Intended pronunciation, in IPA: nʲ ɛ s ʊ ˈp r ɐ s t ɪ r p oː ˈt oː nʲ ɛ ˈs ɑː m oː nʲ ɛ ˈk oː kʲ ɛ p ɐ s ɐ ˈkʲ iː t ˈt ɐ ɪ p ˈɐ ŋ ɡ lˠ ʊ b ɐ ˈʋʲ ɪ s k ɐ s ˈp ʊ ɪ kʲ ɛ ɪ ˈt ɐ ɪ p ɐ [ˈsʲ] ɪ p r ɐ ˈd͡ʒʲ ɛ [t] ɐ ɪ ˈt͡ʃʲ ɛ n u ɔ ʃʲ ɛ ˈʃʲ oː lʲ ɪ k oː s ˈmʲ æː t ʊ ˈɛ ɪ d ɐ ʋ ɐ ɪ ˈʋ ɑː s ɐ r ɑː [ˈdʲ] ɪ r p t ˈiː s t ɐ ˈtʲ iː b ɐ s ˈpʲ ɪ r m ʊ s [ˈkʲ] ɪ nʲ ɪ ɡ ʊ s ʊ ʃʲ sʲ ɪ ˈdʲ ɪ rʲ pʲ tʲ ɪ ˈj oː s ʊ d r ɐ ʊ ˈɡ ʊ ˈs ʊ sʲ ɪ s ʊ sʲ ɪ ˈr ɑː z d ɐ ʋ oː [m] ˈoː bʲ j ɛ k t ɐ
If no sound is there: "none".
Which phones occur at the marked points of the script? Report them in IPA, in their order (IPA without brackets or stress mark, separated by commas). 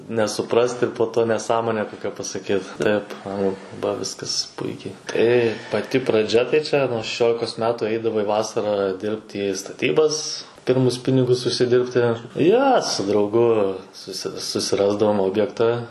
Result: tʲ, t, dʲ, pʲ, m